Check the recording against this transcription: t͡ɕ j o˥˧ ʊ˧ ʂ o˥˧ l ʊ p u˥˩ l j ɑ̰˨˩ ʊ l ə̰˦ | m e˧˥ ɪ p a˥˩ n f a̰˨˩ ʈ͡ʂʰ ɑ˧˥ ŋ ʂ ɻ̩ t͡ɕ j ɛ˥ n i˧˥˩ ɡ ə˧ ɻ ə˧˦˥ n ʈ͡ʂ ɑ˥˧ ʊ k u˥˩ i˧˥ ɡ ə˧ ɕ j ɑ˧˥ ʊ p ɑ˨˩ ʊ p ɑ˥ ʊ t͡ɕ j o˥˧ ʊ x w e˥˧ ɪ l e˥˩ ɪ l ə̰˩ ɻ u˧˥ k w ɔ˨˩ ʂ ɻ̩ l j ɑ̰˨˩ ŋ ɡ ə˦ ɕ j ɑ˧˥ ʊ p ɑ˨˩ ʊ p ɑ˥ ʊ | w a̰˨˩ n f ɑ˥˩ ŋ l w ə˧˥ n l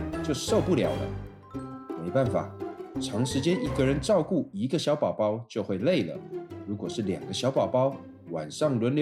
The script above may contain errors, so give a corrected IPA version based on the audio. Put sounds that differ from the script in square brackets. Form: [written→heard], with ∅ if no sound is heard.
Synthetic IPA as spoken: t͡ɕ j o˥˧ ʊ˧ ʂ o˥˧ [l→∅] ʊ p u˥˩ l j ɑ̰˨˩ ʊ l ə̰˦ | m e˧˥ ɪ p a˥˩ n f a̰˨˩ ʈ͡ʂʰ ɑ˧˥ ŋ ʂ ɻ̩ t͡ɕ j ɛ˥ n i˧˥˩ ɡ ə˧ ɻ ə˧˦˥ n ʈ͡ʂ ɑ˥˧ ʊ k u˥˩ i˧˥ ɡ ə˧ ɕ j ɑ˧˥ ʊ p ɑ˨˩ ʊ p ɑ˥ ʊ t͡ɕ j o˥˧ ʊ x w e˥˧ ɪ l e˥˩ ɪ l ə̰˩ ɻ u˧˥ k w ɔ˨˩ ʂ ɻ̩ l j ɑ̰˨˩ ŋ ɡ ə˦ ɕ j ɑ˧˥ ʊ p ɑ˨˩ ʊ p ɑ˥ ʊ | w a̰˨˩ n [f→ʂ] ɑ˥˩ ŋ l w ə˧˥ n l